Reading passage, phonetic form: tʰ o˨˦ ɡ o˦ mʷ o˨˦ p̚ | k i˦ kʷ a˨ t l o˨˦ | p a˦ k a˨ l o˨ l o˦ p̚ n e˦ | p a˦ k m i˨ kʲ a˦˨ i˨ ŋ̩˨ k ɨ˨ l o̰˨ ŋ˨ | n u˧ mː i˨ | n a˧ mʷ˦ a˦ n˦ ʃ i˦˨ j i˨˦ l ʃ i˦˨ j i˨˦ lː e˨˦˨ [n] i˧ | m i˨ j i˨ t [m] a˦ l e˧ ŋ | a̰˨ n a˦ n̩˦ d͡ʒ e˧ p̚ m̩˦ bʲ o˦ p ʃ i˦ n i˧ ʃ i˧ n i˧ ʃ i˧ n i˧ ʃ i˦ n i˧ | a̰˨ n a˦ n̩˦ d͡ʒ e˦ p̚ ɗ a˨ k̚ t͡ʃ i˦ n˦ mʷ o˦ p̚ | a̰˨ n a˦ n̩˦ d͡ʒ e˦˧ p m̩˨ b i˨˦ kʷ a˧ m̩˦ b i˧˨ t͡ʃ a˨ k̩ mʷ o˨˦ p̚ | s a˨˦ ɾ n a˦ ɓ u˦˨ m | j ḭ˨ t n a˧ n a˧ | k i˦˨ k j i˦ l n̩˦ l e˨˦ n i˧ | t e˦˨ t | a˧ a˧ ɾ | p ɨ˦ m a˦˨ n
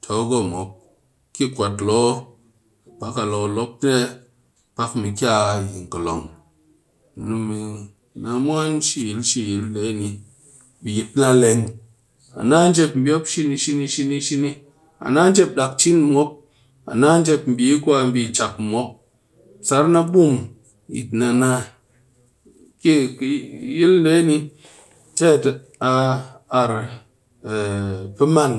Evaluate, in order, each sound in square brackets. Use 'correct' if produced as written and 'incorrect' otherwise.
correct, incorrect

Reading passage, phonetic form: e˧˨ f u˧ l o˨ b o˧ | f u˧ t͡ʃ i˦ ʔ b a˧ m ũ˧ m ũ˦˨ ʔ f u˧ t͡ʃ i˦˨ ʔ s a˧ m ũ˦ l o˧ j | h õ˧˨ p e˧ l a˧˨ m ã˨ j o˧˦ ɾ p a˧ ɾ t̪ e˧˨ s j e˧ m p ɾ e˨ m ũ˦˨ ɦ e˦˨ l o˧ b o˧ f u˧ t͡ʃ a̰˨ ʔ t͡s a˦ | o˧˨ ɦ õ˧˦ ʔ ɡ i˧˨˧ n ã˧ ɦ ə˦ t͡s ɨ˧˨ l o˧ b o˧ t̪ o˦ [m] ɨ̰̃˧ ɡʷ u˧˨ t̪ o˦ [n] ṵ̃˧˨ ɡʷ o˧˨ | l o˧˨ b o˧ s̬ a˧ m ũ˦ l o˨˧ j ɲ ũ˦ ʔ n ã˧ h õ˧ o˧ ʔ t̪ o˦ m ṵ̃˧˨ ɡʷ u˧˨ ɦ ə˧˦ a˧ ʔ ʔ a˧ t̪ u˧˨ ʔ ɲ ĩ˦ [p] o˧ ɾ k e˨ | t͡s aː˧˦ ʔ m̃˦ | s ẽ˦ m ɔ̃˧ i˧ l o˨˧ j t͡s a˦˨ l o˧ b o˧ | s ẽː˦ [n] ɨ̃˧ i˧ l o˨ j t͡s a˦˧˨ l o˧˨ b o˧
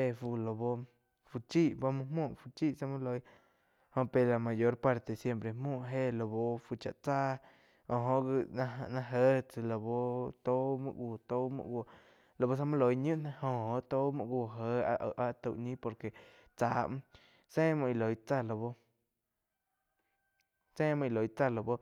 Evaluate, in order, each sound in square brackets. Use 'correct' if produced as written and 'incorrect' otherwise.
correct, incorrect, correct, incorrect

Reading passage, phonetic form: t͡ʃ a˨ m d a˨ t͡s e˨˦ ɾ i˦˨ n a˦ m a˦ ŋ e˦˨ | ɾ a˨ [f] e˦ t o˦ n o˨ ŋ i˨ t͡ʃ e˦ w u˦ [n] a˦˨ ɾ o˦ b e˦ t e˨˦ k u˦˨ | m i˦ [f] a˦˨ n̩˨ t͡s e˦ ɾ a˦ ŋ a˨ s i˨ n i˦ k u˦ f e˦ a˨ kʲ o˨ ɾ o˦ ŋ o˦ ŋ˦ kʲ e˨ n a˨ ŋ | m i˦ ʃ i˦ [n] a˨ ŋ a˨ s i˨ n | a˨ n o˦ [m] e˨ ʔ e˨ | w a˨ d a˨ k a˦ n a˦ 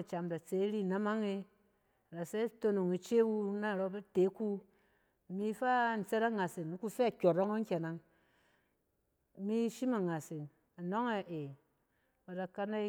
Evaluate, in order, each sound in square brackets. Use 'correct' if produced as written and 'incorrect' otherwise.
incorrect, correct, correct, incorrect, incorrect

